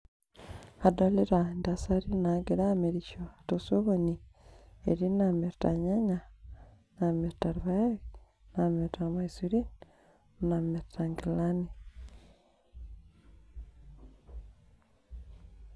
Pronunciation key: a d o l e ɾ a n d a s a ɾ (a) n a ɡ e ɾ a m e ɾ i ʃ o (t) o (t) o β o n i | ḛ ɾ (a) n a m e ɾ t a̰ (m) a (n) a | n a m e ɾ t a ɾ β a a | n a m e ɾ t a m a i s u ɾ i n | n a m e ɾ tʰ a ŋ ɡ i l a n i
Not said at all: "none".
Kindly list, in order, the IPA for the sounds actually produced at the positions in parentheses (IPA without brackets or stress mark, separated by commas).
i, t, s, i, ɲ, ɲ